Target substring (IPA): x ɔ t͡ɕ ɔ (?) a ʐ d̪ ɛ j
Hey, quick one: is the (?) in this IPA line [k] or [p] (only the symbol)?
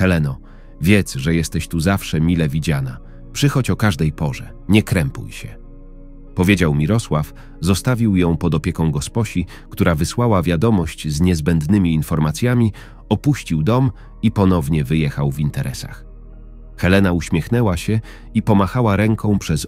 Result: k